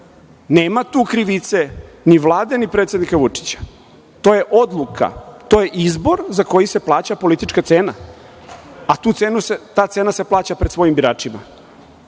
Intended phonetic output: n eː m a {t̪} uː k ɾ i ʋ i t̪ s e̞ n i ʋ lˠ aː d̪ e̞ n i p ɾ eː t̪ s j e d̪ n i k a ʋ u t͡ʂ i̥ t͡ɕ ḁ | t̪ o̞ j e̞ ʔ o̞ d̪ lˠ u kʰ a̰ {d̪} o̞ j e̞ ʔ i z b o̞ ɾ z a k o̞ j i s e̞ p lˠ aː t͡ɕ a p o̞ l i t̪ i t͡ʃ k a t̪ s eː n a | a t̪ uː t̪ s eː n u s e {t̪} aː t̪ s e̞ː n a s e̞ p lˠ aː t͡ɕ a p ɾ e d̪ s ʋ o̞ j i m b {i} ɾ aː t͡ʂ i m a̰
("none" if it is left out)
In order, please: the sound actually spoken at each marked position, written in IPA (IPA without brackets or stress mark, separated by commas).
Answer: t̪, t̪, t̪, i